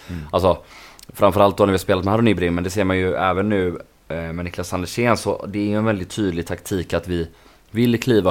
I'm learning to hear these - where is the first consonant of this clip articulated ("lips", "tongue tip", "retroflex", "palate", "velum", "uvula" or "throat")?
tongue tip